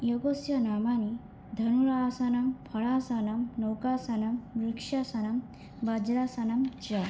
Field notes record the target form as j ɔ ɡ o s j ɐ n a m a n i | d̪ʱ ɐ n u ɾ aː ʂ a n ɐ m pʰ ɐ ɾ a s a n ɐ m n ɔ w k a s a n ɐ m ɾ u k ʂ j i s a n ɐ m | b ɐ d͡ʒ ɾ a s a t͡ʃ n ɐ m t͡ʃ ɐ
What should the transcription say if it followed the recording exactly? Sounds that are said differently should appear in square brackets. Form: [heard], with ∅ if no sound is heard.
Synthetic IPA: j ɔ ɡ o s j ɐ n a m a n i | d̪ʱ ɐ n u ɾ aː [s] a n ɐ m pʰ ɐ [ɭ] a s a n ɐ m n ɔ w k a s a n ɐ m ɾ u k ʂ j [a] s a n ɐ m | b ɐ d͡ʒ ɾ a s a [∅] n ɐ m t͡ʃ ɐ